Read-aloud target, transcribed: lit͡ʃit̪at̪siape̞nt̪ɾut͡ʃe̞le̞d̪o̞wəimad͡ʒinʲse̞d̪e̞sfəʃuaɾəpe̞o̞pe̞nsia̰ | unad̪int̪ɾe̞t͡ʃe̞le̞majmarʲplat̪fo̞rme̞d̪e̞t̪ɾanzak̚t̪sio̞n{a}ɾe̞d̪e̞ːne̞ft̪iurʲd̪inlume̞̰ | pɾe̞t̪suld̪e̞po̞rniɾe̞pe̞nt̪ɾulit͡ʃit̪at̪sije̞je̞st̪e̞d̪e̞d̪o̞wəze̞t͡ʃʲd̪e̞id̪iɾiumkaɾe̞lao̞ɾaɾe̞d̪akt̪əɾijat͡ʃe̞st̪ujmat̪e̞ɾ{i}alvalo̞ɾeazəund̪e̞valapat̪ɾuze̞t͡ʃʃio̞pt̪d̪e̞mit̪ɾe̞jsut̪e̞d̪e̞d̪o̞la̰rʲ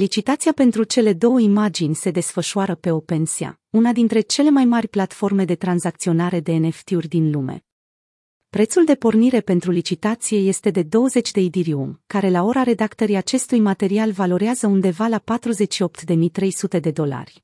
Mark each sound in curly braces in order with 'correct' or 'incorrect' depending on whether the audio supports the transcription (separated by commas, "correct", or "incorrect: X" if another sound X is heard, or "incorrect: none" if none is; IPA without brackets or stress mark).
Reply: correct, correct